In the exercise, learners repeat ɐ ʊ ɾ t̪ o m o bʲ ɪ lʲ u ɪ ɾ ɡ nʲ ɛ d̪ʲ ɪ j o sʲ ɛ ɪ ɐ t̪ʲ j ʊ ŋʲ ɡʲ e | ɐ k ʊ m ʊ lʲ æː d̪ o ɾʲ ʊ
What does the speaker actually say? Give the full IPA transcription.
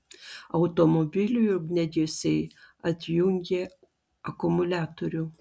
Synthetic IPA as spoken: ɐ ʊ t̪ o m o bʲ ɪ lʲ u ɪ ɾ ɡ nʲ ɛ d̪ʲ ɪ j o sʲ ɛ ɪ ɐ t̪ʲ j ʊ ŋʲ ɡʲ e | ɐ k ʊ m ʊ lʲ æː t̪ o ɾʲ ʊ